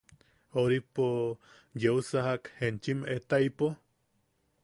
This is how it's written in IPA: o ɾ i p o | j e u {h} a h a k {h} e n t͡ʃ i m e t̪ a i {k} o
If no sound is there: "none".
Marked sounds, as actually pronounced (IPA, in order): s, h, p

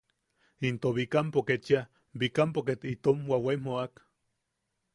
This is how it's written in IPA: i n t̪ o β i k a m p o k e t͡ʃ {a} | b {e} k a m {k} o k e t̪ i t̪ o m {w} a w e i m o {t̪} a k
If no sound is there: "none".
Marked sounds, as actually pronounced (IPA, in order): a, i, p, w, none

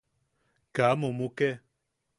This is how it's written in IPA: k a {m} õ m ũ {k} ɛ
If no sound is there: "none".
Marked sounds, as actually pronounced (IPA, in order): m, k

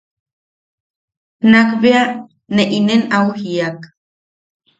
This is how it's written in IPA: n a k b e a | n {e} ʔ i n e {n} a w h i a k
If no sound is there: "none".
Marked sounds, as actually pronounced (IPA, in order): e, n

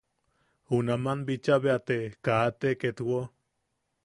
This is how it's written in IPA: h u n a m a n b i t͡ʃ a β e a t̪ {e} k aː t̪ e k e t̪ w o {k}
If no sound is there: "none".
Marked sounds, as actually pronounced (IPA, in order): e, none

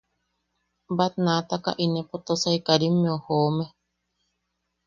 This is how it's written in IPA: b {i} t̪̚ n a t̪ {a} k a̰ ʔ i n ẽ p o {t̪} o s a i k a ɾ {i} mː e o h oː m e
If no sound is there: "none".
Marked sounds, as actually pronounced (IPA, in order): a, a, t̪, i

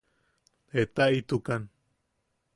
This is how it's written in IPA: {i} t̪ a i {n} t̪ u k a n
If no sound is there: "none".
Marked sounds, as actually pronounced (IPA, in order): e, none

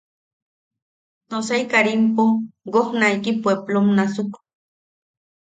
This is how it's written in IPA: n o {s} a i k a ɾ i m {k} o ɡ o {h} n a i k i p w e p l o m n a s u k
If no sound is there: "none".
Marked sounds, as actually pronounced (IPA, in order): s, p, h

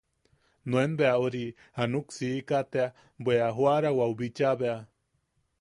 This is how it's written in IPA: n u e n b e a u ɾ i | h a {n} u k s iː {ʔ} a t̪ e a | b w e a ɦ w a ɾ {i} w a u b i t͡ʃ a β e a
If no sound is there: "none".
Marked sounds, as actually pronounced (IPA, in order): n, k, a

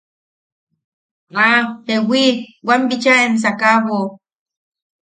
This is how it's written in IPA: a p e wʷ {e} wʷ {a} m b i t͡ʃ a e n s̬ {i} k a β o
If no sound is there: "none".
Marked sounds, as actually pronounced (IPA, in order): i, a, a

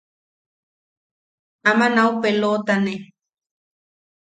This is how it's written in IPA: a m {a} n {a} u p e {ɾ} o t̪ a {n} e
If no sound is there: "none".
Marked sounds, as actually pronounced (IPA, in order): a, a, l, n

